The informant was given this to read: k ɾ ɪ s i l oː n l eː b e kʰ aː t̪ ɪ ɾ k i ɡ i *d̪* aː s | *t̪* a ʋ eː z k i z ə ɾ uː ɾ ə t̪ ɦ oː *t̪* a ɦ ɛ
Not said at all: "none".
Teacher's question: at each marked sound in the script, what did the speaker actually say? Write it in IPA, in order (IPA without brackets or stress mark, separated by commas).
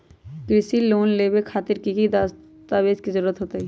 d̪, t̪, t̪